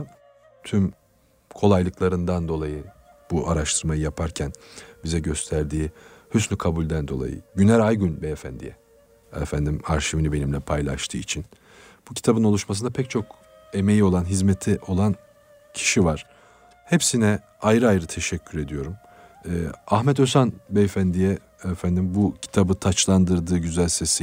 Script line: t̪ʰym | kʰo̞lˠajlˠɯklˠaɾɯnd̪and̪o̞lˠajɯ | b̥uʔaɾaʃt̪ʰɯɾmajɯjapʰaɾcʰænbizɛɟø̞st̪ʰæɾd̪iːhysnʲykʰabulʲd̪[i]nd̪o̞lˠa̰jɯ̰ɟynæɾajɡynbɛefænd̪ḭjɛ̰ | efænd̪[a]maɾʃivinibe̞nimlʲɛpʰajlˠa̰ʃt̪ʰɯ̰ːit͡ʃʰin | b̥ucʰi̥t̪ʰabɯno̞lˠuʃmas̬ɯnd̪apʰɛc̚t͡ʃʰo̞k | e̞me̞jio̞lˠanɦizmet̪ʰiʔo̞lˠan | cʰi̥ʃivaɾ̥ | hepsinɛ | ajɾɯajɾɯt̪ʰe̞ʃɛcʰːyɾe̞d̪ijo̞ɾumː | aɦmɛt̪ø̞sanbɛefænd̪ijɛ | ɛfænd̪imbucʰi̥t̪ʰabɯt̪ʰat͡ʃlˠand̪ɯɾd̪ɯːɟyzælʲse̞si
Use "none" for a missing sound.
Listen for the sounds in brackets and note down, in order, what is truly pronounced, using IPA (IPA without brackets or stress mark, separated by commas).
æ, i